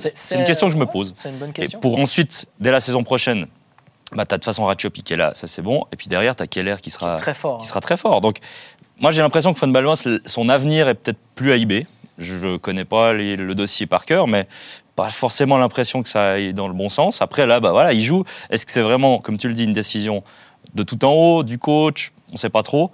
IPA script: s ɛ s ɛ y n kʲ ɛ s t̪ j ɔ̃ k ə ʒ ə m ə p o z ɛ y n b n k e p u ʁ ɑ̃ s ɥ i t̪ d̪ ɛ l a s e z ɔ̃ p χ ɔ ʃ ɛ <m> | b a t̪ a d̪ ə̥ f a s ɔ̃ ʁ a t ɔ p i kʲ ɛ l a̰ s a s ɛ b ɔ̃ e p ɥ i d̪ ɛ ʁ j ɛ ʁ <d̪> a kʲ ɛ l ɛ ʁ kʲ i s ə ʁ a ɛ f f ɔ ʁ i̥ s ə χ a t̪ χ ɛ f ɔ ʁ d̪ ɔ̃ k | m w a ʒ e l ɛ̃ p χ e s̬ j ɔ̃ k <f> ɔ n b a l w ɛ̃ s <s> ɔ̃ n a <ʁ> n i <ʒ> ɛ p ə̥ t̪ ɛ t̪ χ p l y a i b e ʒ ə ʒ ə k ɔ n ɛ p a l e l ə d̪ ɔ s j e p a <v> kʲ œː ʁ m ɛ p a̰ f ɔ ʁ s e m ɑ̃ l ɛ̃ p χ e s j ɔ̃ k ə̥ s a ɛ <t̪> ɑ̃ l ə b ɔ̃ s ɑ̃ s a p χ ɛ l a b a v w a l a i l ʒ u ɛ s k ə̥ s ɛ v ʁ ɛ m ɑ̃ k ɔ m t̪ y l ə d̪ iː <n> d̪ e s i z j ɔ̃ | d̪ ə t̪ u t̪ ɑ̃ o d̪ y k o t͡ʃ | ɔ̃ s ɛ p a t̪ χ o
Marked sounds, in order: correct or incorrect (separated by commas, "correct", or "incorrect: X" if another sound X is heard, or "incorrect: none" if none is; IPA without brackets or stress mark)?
incorrect: n, incorrect: t̪, correct, correct, incorrect: v, incorrect: ʁ, incorrect: ʁ, incorrect: d̪, correct